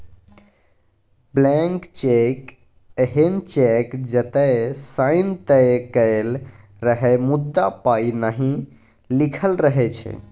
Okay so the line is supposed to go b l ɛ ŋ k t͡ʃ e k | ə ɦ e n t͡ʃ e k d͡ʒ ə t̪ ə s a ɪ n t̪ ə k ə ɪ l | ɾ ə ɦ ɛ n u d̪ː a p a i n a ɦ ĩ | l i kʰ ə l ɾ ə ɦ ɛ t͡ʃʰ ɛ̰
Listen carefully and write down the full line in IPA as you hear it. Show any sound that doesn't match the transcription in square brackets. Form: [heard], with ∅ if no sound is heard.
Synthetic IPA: b l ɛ ŋ k t͡ʃ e k | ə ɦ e n t͡ʃ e k d͡ʒ ə t̪ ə s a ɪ n t̪ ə k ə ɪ l | ɾ ə ɦ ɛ [m] u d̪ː a p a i n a ɦ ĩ | l i kʰ ə l ɾ ə ɦ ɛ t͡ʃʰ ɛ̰